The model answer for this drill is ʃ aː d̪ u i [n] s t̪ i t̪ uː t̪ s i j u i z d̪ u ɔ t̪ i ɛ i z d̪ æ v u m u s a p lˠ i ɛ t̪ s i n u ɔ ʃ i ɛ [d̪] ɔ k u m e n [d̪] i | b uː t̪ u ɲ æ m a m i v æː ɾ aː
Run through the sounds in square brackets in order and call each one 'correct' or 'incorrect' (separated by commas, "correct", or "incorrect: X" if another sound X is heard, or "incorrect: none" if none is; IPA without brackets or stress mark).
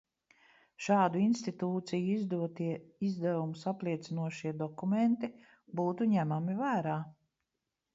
correct, correct, incorrect: t̪